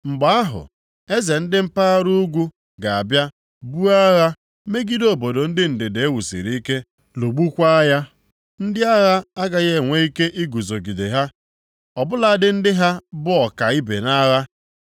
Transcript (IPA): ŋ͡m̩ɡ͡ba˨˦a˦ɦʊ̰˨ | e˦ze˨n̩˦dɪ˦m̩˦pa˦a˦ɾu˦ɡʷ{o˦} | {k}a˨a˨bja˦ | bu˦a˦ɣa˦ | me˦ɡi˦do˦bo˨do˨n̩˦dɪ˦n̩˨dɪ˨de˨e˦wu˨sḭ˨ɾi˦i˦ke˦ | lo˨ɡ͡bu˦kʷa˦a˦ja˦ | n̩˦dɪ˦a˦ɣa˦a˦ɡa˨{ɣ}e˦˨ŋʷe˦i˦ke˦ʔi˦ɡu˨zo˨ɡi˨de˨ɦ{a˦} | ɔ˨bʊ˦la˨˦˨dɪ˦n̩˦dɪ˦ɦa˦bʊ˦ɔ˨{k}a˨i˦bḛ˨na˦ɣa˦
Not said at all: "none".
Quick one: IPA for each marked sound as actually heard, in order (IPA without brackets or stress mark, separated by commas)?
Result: u˦, ɡ, ɣ, a˦, k